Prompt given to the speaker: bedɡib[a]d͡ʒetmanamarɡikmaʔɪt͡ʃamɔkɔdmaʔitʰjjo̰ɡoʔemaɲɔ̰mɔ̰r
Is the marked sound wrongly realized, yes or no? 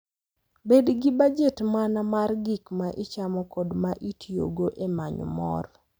no